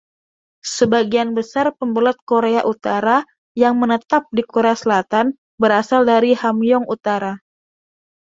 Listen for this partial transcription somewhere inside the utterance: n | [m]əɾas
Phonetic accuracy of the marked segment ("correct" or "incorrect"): incorrect